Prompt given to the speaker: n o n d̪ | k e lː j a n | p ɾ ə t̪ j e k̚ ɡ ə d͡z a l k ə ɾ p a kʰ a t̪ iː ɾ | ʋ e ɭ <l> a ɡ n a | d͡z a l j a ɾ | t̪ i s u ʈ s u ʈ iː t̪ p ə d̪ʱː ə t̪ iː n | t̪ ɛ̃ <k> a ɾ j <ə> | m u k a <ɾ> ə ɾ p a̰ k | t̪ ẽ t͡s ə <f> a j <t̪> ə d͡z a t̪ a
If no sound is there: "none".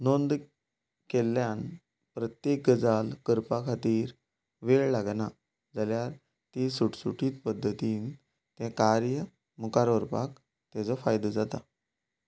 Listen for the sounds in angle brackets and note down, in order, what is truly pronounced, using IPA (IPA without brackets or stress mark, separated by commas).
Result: l, k, ə, ɾ, f, d̪